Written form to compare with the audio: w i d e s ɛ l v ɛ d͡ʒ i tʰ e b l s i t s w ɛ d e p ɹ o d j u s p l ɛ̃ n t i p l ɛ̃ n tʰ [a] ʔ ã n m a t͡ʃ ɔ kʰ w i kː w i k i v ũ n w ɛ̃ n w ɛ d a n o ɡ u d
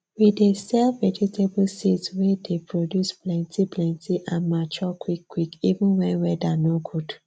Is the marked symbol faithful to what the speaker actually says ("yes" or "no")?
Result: no